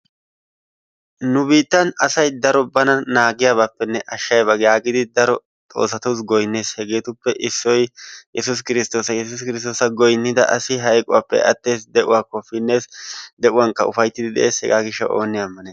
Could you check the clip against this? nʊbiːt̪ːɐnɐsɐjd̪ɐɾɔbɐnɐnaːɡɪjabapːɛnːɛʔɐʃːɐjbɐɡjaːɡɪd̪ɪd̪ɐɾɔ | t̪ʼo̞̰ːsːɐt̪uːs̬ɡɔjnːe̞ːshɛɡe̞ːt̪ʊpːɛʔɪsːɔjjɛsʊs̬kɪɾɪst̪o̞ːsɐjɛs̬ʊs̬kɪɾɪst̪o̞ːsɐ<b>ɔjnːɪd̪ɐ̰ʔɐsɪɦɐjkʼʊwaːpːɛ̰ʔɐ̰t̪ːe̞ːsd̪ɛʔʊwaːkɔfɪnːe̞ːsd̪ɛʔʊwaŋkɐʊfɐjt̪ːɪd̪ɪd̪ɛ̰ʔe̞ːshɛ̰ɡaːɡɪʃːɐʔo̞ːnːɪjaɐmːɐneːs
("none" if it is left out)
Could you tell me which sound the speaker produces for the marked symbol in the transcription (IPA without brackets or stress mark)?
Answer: ɡ